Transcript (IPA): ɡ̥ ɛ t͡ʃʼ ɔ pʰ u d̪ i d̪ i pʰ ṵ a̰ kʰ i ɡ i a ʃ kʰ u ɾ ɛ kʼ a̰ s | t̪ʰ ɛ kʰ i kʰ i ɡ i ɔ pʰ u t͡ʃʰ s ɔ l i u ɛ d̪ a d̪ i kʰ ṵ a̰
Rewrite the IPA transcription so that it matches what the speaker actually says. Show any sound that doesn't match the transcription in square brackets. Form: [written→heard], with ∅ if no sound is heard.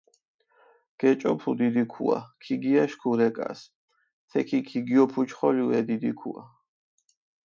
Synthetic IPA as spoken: ɡ̥ ɛ t͡ʃʼ ɔ pʰ u d̪ i d̪ i [pʰ→kʰ] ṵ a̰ kʰ i ɡ i a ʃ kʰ u ɾ ɛ kʼ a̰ s | t̪ʰ ɛ kʰ i kʰ i ɡ i ɔ pʰ u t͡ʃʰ [s→χ] ɔ l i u ɛ d̪ [a→i] d̪ i kʰ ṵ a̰